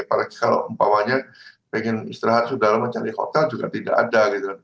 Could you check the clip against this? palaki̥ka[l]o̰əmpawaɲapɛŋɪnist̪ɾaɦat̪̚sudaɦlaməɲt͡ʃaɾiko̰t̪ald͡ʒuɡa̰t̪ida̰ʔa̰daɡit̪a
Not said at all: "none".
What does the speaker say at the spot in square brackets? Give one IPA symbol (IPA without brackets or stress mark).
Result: l